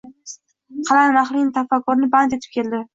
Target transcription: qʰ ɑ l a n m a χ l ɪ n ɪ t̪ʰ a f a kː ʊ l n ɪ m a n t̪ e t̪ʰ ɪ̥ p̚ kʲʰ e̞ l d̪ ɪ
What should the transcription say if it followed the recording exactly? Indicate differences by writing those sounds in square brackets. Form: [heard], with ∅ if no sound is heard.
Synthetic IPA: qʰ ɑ l a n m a χ l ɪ n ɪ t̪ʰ a f a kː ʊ [ɾ] n ɪ [b] a n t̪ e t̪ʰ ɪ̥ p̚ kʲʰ e̞ l d̪ ɪ